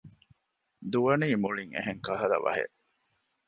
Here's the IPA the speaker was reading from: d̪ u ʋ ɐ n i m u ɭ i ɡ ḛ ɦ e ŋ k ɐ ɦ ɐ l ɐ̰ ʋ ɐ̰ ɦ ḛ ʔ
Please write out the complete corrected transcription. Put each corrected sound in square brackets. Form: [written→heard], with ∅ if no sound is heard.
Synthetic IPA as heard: d̪ u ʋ ɐ n [i→iː] m u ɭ i [ɡ→ŋ] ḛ ɦ e ŋ k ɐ ɦ ɐ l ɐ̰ ʋ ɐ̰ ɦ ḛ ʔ